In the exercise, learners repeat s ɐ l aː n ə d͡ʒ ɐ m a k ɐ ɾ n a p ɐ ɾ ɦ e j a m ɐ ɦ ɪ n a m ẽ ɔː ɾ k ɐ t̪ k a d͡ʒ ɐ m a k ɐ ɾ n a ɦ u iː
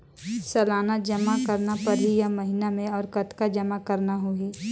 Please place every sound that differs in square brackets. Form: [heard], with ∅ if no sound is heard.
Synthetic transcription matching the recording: s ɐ l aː n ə d͡ʒ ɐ m a k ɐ ɾ n a p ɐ ɾ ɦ [i] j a m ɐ ɦ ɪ n a m ẽ ɔː ɾ k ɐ t̪ k a d͡ʒ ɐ m a k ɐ ɾ n a ɦ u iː

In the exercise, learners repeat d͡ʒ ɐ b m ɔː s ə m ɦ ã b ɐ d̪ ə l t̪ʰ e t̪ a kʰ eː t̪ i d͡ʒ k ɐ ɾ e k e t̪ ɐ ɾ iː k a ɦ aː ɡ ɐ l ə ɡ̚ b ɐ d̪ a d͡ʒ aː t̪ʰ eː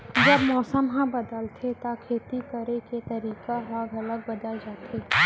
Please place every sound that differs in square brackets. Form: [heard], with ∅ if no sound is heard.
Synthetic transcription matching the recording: d͡ʒ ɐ b m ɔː s ə m ɦ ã b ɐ d̪ ə l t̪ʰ e t̪ a kʰ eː t̪ i [∅] k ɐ ɾ e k e t̪ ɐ ɾ iː k a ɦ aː ɡ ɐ l ə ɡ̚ b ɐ d̪ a d͡ʒ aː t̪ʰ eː

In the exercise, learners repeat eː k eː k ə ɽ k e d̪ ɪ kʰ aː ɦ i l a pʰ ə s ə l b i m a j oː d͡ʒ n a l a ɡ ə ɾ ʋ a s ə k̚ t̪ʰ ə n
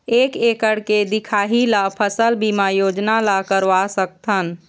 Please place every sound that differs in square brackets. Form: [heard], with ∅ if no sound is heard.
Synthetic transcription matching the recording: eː k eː k ə ɽ k e d̪ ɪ kʰ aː ɦ i l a pʰ ə s ə l b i m a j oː d͡ʒ n a l a [k] ə ɾ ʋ a s ə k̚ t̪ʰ ə n

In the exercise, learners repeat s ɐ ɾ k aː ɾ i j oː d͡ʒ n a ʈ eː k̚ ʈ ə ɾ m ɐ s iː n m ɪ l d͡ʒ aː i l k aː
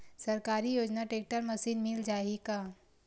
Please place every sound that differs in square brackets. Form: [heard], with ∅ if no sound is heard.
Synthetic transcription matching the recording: s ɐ ɾ k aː ɾ i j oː d͡ʒ n a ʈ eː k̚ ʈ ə ɾ m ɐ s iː n m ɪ l d͡ʒ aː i [∅] k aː

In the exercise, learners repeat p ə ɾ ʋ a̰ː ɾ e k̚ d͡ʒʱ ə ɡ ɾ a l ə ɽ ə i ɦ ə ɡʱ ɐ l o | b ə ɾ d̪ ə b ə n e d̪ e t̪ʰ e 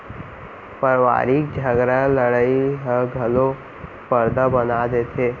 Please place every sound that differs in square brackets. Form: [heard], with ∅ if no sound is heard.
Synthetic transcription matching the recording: p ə ɾ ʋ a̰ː ɾ [i] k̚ d͡ʒʱ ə ɡ ɾ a l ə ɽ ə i ɦ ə ɡʱ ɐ l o | [p] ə ɾ d̪ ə b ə n [a] d̪ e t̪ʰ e

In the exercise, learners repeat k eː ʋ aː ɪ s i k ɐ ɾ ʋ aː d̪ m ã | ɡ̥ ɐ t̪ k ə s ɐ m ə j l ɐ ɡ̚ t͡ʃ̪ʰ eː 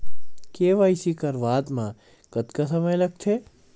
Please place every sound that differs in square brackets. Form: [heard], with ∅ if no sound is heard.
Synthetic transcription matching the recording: k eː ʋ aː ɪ s i k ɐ ɾ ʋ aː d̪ m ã | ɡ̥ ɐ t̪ k [a] s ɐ m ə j l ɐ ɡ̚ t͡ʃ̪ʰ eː

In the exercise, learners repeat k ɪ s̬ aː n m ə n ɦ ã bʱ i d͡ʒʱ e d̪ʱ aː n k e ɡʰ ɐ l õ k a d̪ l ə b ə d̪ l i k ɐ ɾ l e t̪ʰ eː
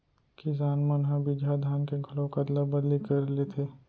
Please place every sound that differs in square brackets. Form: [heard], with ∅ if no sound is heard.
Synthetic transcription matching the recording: k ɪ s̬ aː n m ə n ɦ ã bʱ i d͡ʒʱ [a] d̪ʱ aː n k e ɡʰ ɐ l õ k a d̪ l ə b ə d̪ l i k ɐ ɾ l e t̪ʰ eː

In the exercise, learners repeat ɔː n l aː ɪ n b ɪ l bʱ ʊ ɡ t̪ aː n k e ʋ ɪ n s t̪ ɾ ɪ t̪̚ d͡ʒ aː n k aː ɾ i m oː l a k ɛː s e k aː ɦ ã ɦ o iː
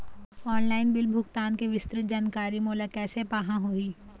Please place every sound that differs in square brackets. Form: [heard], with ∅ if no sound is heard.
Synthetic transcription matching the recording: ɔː n l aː ɪ n b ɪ l bʱ ʊ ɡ t̪ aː n k e ʋ ɪ [∅] s t̪ ɾ ɪ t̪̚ d͡ʒ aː n k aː ɾ i m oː l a k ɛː s e [p] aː ɦ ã ɦ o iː

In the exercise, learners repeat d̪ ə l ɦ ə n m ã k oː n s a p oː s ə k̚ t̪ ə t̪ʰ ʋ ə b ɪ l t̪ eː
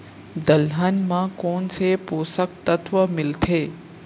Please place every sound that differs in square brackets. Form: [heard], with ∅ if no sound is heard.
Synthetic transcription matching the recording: d̪ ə l ɦ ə n m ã k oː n s [e] p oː s ə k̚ t̪ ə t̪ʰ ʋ ə [m] ɪ l [t̪ʰ] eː

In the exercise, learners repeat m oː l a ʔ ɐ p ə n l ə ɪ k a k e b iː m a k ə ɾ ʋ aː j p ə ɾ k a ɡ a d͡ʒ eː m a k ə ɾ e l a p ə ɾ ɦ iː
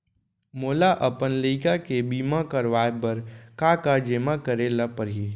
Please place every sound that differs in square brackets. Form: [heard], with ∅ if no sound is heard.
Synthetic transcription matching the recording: m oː l a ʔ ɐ p ə n l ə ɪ k a k e b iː m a k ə ɾ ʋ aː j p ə ɾ k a [k] a d͡ʒ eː m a k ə ɾ e l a p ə ɾ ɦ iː

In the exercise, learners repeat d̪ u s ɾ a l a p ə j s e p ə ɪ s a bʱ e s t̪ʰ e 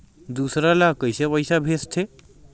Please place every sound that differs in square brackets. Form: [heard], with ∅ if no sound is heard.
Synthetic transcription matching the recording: d̪ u s ɾ a l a [k] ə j s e p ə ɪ s a bʱ e s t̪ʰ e

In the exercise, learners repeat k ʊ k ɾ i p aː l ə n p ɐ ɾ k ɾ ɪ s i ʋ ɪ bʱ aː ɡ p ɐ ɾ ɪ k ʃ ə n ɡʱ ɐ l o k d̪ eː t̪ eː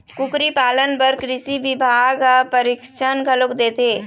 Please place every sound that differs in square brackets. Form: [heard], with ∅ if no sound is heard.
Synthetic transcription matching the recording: k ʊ k ɾ i p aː l ə n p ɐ ɾ k ɾ ɪ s i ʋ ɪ bʱ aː ɡ p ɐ ɾ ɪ k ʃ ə n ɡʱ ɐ l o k d̪ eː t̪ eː

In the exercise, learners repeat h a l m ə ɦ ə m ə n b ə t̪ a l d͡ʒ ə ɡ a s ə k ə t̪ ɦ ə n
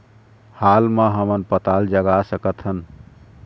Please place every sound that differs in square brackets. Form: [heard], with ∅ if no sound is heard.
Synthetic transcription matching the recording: h a l m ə ɦ ə m ə n [p] ə t̪ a l d͡ʒ ə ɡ a s ə k ə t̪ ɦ ə n

